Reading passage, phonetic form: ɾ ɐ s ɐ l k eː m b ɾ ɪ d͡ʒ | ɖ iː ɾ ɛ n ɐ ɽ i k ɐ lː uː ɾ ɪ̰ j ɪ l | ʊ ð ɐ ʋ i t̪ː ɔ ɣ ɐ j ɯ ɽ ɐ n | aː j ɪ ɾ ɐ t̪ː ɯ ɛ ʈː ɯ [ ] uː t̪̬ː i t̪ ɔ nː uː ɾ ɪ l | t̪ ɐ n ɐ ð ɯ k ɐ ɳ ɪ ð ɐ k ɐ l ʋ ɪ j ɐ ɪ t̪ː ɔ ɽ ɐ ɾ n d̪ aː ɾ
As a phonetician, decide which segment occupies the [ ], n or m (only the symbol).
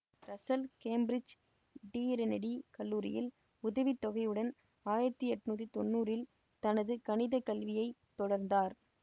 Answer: n